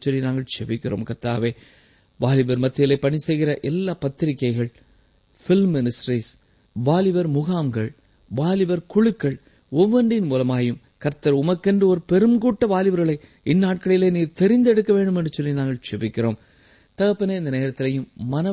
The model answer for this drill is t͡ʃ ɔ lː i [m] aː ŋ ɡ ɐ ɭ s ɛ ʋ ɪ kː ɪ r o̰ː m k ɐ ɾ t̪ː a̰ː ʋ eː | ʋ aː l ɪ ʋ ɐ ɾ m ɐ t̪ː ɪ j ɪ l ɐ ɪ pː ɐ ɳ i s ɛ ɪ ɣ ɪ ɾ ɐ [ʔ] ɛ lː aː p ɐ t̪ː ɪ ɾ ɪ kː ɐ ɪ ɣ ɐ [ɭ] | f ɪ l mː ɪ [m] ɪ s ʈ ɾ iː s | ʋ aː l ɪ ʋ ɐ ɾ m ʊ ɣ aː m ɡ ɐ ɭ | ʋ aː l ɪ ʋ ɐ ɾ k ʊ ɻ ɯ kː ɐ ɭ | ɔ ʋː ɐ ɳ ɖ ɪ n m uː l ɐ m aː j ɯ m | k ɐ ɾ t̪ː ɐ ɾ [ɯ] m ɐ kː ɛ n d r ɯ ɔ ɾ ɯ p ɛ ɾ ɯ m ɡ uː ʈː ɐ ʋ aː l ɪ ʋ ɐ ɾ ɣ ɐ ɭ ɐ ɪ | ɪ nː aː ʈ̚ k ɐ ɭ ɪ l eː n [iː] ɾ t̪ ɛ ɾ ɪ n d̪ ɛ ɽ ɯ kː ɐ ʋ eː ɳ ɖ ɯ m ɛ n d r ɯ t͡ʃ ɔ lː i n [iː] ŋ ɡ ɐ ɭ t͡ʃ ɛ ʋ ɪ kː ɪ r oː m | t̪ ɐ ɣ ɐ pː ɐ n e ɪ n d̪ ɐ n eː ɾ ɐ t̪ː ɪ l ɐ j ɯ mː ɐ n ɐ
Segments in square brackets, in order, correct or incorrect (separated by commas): incorrect, correct, correct, incorrect, incorrect, correct, incorrect